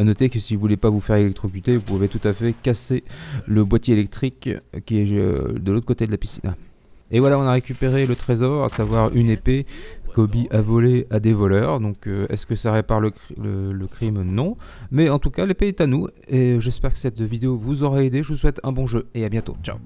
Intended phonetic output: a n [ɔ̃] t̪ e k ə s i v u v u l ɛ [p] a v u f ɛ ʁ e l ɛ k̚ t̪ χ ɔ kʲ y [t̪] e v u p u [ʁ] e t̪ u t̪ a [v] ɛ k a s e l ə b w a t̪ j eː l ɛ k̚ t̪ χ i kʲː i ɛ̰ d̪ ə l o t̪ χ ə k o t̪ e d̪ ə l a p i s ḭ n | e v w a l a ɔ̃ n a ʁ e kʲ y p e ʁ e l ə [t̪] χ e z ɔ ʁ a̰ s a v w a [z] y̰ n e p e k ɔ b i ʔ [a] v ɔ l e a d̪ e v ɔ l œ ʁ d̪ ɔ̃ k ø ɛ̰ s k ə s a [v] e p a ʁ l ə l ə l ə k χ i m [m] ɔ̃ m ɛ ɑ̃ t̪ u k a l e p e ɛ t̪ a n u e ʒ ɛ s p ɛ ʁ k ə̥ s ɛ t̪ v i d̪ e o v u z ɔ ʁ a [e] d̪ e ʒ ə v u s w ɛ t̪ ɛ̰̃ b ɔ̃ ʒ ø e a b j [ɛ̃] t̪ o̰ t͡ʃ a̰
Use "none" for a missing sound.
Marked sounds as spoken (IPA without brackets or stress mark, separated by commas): ɔ, p, t̪, v, f, t̪, ʁ, a, ʁ, n, e, ɛ̃